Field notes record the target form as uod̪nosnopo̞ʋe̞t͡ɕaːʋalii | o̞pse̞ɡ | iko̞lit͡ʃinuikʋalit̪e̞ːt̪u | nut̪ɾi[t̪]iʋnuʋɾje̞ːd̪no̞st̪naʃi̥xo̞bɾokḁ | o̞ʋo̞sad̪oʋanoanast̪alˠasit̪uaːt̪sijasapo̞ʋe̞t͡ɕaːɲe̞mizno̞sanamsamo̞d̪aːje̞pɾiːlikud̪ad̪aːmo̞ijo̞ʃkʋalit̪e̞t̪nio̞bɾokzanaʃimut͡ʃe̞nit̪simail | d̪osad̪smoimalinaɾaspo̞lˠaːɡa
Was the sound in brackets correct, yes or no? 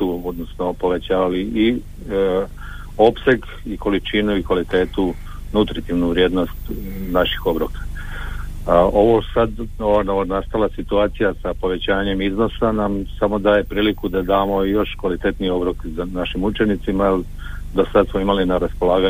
yes